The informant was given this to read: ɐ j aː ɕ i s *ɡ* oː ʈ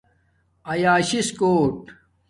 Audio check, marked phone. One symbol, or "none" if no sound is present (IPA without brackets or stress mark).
k